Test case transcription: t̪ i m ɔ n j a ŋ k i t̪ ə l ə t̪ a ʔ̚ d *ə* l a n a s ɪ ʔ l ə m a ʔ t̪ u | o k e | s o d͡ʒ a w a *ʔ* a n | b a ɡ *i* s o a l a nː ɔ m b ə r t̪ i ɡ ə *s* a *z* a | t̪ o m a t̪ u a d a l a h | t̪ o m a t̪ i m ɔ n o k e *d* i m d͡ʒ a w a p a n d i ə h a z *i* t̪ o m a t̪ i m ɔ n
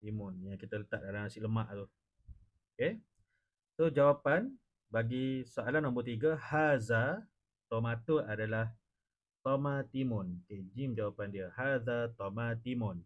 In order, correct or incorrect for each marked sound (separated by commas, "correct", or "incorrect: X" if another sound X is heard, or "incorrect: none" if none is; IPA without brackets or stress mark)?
incorrect: a, incorrect: p, correct, incorrect: h, correct, incorrect: d͡ʒ, incorrect: a